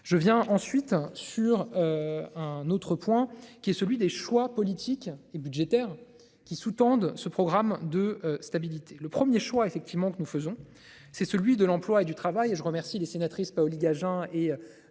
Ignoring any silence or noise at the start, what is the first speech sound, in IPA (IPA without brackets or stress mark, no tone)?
ʒ